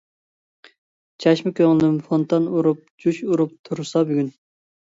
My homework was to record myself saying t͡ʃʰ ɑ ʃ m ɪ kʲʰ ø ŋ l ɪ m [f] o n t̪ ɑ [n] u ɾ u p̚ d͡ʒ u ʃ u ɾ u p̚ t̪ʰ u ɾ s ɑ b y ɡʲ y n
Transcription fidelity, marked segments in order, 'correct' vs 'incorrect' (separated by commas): correct, correct